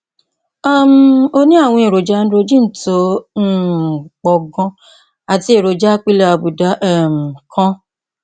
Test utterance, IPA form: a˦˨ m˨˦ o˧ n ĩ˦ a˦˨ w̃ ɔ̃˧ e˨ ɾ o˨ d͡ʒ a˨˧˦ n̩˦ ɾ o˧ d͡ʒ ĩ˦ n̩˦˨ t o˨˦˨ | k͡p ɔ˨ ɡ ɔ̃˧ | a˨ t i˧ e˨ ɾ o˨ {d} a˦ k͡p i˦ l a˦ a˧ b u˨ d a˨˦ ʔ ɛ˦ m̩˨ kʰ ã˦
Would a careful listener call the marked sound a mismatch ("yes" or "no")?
yes